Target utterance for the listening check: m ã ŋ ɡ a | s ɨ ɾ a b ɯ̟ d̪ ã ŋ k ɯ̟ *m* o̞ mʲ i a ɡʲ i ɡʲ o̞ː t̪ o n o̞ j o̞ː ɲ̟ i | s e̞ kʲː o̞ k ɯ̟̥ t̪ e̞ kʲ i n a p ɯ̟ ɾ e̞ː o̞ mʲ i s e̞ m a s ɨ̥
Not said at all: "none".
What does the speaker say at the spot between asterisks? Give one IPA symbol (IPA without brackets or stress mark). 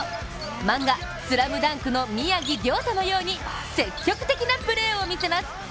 n